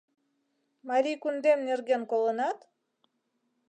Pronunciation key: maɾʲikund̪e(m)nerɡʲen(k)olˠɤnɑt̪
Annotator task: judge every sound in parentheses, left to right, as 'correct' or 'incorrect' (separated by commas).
correct, correct